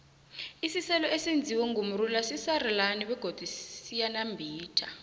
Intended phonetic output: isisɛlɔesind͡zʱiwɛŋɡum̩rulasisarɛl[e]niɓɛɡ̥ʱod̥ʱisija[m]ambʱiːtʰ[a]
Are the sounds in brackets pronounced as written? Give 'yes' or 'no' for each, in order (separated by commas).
no, no, yes